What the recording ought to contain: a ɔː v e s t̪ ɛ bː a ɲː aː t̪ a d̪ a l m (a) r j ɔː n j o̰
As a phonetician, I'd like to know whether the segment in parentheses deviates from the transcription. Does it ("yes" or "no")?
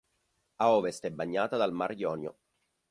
no